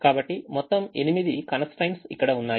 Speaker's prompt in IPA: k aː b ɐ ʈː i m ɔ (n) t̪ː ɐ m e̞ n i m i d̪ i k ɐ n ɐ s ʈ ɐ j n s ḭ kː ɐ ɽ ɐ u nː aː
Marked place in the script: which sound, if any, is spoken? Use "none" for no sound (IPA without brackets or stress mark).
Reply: none